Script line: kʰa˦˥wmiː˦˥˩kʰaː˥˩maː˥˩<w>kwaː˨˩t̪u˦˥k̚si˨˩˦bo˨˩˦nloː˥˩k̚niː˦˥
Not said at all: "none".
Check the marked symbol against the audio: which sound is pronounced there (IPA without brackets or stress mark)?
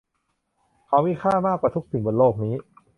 none